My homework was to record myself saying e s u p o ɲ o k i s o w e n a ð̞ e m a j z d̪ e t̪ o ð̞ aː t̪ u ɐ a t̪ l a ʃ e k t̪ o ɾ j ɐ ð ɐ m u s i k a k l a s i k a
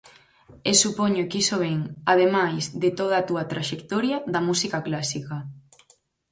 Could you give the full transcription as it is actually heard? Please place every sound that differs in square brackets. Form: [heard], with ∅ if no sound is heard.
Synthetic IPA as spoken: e s u p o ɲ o k i s o [β] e [ŋ] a ð̞ e m a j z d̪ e t̪ o ð̞ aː t̪ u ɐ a t̪ [ɾ] a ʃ e k t̪ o ɾ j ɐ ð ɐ m u s i k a k l a s i k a